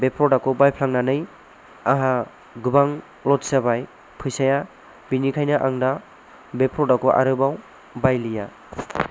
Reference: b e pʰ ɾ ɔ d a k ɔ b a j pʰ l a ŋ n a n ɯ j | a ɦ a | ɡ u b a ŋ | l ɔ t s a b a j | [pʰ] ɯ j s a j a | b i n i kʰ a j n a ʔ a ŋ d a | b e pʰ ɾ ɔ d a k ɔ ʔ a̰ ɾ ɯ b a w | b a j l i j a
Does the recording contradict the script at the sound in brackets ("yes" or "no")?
no